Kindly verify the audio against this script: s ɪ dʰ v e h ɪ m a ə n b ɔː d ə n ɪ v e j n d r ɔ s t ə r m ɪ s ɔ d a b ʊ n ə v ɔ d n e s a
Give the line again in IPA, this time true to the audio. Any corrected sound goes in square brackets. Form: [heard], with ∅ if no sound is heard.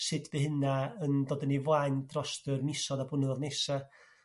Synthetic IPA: s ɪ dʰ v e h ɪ [n] a ə n [d] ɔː d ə n [i] v [a] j n d r ɔ s t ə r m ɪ s ɔ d a b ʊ n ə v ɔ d n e s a